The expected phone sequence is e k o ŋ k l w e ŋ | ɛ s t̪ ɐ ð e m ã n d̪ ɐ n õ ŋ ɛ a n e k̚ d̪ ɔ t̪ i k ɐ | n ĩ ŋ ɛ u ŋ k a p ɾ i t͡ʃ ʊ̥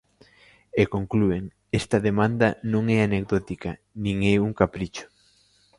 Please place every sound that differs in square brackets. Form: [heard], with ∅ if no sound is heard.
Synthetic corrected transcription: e k o ŋ k l [u] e ŋ | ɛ s t̪ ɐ ð e m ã n d̪ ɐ n õ ŋ ɛ a n e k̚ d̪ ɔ t̪ i k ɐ | n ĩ ŋ ɛ u ŋ k a p ɾ i t͡ʃ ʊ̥